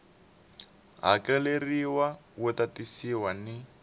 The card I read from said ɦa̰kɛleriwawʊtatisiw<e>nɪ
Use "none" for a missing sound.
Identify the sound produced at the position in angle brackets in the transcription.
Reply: a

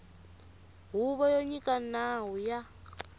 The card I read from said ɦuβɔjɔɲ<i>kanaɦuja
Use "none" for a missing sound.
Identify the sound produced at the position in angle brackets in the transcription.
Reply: i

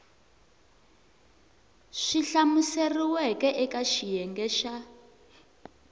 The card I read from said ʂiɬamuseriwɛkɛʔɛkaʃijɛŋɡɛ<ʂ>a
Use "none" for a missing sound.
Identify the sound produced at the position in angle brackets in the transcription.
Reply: ʃ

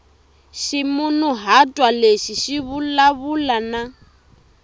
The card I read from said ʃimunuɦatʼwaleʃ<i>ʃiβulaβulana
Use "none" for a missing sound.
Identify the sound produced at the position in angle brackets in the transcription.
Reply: i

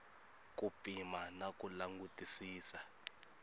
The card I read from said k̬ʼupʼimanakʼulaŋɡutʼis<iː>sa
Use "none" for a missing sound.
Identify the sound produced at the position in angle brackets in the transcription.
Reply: iː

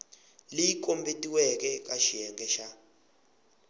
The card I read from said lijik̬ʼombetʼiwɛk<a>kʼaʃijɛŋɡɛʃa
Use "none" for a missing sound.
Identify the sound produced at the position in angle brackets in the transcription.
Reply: ɛ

